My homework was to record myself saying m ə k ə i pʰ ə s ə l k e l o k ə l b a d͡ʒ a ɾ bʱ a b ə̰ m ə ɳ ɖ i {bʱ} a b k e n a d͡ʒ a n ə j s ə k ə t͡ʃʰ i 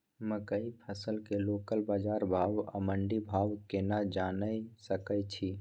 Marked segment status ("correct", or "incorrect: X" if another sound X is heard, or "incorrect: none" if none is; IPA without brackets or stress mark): correct